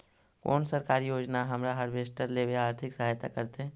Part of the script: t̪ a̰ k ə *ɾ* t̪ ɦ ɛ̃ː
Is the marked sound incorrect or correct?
correct